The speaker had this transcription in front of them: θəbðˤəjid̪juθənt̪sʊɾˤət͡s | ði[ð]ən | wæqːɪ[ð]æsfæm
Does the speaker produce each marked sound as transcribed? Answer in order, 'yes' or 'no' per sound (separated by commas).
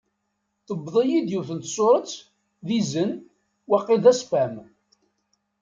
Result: no, yes